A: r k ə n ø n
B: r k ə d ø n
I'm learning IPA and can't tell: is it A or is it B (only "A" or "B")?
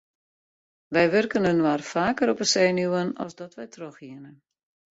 A